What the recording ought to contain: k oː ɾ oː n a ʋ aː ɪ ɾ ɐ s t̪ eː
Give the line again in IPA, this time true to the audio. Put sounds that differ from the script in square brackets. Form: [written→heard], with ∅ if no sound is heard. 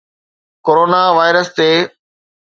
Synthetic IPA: k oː ɾ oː n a ʋ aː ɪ ɾ [ɐ→ə] s t̪ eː